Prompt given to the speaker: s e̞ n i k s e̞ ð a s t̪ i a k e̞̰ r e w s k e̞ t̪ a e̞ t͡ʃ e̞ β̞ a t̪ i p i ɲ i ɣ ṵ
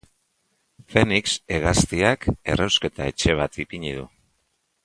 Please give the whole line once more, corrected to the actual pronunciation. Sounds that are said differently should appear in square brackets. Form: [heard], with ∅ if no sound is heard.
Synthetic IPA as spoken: [f] e̞ n i k s e̞ [ɣ] a s t̪ i a k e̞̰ r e w s k e̞ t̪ a e̞ t͡ʃ e̞ β̞ a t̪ i p i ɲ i [ð] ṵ